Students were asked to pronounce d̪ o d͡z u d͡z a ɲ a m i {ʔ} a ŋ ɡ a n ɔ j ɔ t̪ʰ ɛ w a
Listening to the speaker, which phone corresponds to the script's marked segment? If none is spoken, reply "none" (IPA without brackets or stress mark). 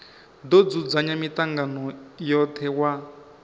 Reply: t